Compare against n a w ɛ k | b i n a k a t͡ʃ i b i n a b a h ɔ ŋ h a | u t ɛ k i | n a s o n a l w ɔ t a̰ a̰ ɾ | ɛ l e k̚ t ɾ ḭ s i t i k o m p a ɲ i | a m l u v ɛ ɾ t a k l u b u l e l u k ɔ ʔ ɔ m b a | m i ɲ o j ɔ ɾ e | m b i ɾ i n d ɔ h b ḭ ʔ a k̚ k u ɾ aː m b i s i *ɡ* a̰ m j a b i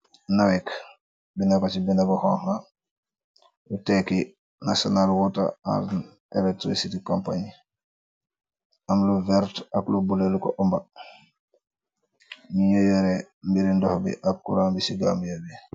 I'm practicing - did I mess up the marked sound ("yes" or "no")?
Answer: no